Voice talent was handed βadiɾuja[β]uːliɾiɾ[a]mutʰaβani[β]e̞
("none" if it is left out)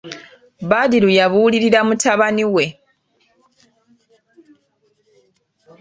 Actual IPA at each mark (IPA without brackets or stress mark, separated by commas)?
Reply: β, a, w